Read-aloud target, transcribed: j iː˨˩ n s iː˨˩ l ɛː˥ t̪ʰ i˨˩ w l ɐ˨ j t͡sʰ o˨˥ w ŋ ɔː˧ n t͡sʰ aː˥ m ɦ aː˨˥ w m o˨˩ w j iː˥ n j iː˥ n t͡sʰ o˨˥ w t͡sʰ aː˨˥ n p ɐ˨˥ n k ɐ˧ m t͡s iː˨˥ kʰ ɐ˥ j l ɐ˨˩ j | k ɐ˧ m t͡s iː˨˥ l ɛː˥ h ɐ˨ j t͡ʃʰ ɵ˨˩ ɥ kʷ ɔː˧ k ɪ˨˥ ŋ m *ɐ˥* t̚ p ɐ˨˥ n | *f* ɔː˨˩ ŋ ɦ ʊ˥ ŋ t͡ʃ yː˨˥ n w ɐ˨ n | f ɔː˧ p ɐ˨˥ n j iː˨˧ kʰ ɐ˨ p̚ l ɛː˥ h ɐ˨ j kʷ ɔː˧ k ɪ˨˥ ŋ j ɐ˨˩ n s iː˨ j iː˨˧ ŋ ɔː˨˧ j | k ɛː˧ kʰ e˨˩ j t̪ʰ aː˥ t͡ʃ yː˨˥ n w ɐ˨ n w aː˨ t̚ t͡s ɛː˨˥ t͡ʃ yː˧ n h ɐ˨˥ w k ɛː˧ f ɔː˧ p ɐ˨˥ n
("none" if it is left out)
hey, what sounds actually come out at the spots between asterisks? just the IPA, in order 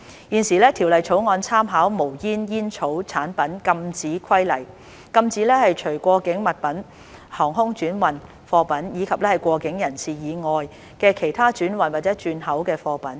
ɐ˨, h

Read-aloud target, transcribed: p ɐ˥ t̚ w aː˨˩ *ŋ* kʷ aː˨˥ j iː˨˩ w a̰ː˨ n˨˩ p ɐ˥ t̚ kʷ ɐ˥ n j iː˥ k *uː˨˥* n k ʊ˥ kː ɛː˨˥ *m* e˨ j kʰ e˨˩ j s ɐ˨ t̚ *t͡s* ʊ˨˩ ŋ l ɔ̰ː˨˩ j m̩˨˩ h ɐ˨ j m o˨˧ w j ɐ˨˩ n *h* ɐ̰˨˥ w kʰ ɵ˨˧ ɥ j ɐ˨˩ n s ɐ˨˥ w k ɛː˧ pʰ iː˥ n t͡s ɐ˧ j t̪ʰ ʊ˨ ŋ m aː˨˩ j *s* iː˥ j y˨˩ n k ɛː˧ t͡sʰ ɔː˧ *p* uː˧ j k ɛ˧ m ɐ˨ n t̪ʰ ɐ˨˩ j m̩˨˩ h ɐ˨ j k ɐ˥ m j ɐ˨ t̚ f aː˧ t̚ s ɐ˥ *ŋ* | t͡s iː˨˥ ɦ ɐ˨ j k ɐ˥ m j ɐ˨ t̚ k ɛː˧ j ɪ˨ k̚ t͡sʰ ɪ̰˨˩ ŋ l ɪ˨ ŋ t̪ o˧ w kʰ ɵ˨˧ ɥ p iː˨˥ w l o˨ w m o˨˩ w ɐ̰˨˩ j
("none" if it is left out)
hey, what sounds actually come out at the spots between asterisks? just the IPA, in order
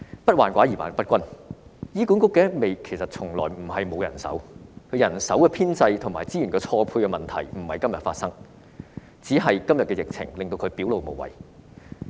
n, u˨˥, m, t͡sʰ, s, t͡s, pʰ, ŋ

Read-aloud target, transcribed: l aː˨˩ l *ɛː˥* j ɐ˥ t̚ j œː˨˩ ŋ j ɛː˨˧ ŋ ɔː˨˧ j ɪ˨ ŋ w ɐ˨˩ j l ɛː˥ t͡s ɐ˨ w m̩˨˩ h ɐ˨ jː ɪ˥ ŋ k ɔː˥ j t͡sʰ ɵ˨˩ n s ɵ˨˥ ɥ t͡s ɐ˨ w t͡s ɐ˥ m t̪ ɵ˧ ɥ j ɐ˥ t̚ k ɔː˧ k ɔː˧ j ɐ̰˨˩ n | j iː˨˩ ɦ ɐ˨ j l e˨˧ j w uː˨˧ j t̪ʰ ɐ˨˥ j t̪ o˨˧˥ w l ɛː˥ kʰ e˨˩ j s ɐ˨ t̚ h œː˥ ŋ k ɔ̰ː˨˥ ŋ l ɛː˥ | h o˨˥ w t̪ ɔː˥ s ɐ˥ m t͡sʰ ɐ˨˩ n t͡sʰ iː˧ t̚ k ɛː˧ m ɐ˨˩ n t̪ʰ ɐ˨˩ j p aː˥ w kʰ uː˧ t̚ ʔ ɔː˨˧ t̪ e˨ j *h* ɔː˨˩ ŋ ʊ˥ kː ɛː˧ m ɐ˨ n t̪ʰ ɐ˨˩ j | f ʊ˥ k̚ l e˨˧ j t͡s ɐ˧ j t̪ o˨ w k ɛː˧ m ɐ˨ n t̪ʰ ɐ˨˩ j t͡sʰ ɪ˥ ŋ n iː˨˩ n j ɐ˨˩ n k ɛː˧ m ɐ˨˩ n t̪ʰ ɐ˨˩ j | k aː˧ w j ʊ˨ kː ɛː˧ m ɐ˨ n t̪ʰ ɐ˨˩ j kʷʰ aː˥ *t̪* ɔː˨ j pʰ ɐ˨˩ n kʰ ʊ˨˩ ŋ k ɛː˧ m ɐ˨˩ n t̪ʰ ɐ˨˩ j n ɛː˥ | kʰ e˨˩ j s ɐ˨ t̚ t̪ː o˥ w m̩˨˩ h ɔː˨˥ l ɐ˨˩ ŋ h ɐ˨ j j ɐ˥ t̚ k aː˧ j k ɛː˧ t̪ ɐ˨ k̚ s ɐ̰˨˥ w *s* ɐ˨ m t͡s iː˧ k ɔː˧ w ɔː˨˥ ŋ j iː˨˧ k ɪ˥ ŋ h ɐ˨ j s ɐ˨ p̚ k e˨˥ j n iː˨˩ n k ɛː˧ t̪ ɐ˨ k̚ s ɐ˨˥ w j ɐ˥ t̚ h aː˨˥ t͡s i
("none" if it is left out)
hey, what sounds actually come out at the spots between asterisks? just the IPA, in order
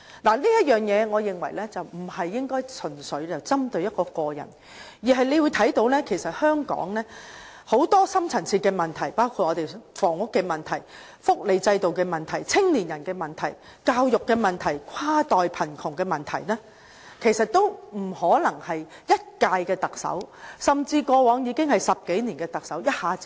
iː˥, f, t̪, s

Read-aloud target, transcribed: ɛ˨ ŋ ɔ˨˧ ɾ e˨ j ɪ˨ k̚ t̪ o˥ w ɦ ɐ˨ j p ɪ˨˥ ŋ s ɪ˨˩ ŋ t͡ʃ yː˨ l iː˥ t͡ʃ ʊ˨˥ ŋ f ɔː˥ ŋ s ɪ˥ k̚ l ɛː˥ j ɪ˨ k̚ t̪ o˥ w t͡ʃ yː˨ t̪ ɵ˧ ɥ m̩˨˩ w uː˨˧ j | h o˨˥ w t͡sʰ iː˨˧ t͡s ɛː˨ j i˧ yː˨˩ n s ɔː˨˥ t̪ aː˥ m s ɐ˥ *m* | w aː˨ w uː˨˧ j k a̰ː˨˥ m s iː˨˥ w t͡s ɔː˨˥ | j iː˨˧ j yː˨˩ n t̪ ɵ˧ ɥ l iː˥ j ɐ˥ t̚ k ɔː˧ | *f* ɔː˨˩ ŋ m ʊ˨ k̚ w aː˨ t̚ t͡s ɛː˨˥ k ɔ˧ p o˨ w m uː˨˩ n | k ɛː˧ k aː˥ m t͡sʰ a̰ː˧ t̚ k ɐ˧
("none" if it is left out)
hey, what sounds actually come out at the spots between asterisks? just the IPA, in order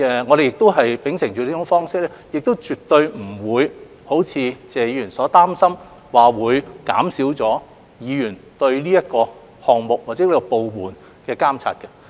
m, h

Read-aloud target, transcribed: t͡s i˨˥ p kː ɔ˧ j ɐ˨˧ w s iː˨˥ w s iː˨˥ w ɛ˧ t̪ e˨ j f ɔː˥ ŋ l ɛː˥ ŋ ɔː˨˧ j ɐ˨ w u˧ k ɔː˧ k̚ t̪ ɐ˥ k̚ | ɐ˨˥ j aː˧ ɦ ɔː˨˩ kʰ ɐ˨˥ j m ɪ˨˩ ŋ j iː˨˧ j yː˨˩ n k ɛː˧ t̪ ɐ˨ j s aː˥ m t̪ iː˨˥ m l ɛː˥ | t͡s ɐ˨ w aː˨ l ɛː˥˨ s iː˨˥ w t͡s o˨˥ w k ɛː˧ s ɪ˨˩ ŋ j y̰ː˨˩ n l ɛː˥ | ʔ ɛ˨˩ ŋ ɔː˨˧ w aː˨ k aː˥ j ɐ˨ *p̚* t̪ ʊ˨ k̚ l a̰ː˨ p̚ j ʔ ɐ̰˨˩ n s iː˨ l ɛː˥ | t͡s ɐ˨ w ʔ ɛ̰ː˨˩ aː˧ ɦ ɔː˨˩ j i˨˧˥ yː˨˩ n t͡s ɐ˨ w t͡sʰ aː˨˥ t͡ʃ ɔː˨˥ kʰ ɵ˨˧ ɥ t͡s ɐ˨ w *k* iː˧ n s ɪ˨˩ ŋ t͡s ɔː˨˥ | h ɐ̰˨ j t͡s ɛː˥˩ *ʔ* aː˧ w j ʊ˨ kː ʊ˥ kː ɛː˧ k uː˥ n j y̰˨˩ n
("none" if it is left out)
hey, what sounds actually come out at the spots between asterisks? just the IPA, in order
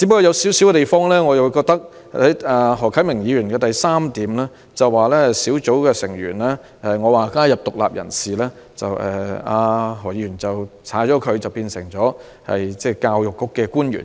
p̚, p, k

